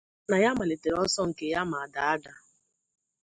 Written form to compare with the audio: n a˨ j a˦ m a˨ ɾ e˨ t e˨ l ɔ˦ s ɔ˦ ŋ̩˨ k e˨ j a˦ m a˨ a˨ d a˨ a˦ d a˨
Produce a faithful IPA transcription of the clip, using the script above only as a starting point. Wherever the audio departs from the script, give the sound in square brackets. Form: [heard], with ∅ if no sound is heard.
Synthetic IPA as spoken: n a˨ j a˦ m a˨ [l] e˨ t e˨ [ɾ] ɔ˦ s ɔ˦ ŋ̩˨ k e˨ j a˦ m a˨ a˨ d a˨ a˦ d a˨

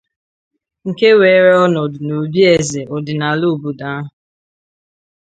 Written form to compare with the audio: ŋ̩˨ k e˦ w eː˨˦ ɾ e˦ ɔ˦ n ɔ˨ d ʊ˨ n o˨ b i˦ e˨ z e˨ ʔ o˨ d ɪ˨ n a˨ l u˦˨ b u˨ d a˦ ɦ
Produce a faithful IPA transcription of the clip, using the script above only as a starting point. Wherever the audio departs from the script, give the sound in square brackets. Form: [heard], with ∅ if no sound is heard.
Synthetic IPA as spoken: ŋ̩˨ k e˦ w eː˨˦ ɾ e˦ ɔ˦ n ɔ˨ d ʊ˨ n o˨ b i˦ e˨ z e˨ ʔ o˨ d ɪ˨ n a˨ l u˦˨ b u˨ d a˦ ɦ

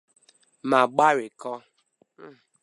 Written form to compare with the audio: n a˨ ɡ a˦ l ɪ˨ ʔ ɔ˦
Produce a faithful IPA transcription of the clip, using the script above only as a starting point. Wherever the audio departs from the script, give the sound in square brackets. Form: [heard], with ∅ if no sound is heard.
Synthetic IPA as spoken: [m] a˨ [ɡ͡b] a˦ [ɾ] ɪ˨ [k] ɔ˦

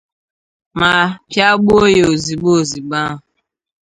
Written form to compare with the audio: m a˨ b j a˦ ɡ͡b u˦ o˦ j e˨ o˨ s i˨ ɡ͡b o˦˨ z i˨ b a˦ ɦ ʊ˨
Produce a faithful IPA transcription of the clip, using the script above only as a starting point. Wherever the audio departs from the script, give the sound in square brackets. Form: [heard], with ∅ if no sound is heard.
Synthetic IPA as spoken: m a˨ [p] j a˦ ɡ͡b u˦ o˦ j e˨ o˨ [z] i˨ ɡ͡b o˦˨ z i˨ [ɡ͡b] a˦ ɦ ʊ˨

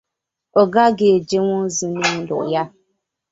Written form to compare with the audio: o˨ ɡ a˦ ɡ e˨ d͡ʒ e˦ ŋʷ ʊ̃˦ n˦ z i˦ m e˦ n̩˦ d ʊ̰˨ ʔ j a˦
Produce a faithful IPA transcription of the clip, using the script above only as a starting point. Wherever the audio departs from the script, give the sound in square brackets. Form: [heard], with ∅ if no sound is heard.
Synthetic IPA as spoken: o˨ ɡ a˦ ɡ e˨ d͡ʒ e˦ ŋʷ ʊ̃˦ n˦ z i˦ [n] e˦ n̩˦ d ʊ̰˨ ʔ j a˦

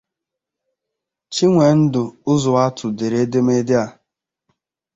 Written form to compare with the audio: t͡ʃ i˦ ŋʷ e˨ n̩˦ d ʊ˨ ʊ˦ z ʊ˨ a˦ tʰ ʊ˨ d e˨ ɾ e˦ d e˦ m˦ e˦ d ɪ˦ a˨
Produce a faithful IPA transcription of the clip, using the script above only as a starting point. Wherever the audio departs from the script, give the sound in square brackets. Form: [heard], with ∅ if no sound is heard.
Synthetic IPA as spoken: t͡ʃ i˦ ŋʷ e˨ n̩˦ d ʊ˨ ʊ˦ z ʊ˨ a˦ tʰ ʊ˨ d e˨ ɾ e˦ d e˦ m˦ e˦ d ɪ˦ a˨

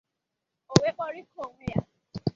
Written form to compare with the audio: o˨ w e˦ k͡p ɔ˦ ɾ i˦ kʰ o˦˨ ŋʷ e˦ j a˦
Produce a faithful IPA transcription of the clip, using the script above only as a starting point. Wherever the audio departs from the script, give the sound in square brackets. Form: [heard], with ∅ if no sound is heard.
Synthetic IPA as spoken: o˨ w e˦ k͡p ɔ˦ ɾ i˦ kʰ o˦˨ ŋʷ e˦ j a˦

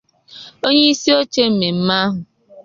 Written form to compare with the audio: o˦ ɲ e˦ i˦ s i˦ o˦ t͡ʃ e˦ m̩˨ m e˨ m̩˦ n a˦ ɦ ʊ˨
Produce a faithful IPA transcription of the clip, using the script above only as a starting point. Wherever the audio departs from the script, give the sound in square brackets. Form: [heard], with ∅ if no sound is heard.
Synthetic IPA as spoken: o˦ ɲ e˦ i˦ s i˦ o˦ t͡ʃ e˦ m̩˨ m e˨ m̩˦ [m] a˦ ɦ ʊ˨

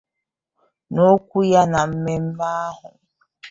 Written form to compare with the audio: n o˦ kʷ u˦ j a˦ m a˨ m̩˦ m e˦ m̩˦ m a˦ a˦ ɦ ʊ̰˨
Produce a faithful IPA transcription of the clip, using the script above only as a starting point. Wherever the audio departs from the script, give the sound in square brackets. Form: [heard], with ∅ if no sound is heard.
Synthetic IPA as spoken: n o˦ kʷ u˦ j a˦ [n] a˨ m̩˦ m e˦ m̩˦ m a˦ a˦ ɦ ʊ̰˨

